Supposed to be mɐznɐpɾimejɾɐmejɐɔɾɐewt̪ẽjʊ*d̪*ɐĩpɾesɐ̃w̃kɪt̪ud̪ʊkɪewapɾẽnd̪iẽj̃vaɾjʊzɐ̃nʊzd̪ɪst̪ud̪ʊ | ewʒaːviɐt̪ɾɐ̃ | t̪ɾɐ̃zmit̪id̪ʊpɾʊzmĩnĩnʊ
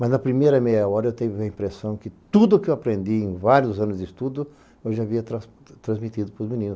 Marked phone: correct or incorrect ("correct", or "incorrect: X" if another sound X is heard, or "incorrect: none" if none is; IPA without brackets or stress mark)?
incorrect: none